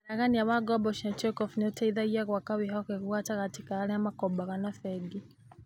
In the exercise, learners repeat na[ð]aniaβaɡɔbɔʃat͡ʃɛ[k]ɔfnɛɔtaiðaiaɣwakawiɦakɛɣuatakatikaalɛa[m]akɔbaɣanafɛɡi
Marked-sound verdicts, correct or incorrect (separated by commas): incorrect, correct, correct